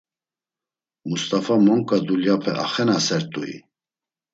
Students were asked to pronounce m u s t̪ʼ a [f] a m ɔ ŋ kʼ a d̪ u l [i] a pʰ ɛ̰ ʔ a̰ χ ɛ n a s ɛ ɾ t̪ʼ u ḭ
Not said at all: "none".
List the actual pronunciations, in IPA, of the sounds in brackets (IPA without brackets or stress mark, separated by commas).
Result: f, j